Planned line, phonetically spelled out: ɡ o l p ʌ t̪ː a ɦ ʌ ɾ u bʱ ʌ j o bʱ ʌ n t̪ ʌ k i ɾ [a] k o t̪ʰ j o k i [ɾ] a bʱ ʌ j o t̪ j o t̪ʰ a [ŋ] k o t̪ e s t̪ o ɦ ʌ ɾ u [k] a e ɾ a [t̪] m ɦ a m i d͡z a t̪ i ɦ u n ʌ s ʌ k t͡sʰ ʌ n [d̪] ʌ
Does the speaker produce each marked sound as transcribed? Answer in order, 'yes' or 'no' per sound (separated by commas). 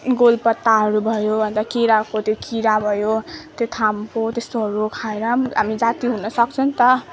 yes, yes, no, no, no, no